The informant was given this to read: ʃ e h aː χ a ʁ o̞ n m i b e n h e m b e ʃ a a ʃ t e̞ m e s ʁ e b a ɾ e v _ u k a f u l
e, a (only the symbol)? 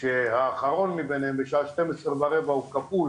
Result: a